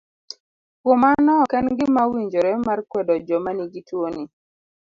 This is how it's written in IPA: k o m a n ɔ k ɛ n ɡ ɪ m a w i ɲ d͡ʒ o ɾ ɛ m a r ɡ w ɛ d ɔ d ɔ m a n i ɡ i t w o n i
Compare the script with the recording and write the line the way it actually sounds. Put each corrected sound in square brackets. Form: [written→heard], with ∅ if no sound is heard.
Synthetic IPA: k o m a n ɔ k ɛ n ɡ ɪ m a w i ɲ d͡ʒ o ɾ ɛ m a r [ɡ→k] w ɛ d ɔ [d→d͡ʒ] ɔ m a n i ɡ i t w o n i